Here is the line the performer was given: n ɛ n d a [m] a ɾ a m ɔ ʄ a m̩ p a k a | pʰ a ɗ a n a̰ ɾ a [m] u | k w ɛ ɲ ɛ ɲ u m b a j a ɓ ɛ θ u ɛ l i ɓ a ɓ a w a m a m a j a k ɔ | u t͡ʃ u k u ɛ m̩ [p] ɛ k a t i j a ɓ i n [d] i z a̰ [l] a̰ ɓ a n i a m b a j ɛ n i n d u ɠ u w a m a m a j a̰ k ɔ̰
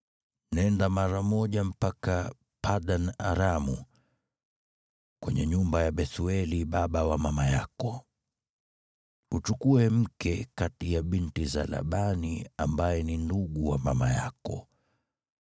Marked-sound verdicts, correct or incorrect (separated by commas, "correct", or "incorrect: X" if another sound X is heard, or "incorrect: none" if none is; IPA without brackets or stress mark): correct, correct, incorrect: k, incorrect: t, correct